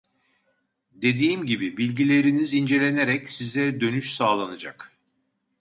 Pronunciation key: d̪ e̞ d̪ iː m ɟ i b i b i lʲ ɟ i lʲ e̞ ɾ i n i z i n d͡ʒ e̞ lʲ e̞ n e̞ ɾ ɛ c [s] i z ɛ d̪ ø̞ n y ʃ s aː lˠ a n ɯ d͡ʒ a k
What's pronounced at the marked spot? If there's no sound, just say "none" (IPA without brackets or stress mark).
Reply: s